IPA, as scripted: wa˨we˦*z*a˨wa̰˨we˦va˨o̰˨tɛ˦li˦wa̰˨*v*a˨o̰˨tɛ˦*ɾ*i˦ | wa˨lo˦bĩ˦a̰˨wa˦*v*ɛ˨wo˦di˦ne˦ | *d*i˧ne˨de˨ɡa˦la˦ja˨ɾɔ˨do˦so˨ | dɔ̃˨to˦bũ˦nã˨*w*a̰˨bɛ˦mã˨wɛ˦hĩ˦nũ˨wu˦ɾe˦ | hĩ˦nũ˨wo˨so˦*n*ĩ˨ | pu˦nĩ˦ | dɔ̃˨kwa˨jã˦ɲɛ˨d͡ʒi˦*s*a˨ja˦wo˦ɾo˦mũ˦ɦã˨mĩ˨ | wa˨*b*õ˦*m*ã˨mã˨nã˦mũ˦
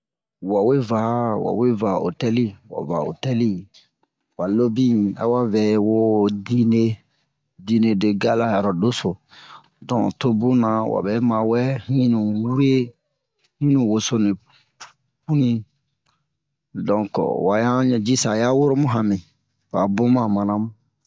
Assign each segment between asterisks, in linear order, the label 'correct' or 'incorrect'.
incorrect: v, correct, incorrect: l, correct, correct, correct, correct, correct, correct, correct

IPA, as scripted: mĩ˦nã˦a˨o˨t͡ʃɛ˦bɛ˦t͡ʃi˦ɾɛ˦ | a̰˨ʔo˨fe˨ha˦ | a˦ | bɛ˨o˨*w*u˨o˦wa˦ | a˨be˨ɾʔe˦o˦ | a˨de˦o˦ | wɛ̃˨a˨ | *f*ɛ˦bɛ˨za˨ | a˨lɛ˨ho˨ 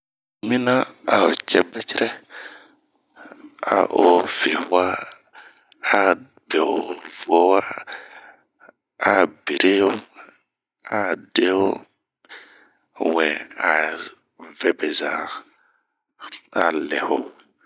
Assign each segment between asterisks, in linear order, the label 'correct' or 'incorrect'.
incorrect: v, incorrect: v

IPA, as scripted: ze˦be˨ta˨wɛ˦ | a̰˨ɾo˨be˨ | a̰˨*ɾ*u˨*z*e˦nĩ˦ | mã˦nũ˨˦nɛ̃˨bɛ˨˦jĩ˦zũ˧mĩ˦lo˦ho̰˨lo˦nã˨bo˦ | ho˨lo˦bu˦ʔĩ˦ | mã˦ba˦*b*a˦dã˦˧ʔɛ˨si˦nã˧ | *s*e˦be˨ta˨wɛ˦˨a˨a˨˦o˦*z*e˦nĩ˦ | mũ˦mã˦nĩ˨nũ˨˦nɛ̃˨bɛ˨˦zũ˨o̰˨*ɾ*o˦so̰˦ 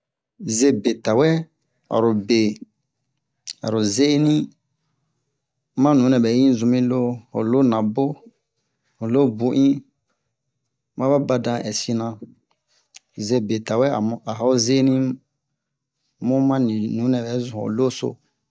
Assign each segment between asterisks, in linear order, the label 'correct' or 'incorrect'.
correct, correct, correct, incorrect: z, correct, incorrect: l

